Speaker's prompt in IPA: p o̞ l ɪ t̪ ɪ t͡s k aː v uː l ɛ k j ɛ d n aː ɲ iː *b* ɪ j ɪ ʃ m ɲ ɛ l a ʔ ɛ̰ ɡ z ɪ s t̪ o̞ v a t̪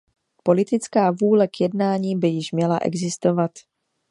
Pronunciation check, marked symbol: correct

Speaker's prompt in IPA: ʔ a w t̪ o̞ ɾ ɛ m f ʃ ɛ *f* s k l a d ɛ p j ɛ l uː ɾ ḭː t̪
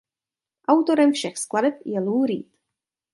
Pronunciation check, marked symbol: incorrect: x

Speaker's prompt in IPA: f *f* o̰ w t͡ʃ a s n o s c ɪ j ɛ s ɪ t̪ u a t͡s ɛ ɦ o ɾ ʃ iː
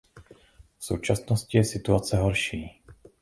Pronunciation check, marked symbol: incorrect: s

